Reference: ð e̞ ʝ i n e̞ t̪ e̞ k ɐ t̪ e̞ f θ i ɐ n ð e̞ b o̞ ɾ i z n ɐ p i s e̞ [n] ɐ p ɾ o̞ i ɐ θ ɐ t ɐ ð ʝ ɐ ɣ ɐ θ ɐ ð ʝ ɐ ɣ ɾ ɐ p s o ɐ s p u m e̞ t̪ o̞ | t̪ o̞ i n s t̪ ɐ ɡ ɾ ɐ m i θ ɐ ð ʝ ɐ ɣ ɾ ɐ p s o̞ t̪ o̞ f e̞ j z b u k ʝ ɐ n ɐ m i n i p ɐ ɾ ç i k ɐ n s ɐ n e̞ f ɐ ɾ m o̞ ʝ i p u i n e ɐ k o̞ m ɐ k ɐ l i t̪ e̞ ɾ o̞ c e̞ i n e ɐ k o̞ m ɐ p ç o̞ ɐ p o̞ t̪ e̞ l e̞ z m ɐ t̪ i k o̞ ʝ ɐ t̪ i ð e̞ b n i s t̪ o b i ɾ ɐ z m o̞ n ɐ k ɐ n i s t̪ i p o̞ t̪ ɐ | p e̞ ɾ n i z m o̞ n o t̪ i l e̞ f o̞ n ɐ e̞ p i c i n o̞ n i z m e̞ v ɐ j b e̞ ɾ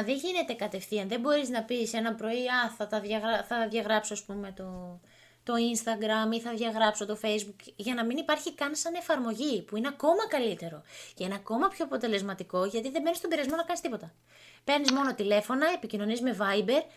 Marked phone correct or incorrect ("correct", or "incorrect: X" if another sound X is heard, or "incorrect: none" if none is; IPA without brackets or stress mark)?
correct